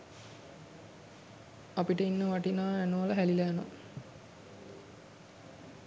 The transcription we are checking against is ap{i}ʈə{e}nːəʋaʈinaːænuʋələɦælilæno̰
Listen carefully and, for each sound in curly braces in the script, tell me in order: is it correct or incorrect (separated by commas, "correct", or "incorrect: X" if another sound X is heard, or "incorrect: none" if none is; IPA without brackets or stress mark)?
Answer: correct, incorrect: i